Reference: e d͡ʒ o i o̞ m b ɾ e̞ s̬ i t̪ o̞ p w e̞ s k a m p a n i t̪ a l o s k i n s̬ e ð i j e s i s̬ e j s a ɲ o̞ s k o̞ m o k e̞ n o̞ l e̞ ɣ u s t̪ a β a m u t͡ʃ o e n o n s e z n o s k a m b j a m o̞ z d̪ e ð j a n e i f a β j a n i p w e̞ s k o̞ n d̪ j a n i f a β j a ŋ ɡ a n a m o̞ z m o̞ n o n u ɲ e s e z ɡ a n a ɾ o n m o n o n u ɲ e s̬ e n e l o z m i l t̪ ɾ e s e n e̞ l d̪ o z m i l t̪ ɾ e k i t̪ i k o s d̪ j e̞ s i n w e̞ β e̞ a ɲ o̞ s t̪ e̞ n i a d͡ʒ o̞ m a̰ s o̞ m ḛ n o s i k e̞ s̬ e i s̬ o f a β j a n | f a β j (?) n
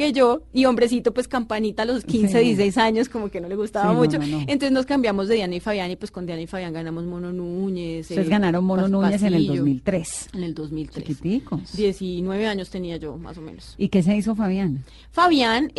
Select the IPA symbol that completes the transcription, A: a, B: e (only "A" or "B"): A